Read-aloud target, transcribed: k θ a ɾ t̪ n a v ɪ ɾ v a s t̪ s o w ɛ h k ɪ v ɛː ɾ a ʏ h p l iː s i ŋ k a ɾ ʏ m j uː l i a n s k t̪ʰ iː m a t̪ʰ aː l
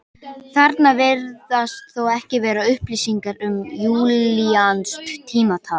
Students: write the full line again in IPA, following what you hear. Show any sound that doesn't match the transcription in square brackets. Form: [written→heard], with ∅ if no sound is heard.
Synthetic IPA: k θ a ɾ t̪ n a v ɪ ɾ [v→ð] a s t̪ [s→θ] o w ɛ h [k→c] ɪ v ɛː ɾ a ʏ h p l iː s i ŋ k a ɾ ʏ m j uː l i a n s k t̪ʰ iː m a t̪ʰ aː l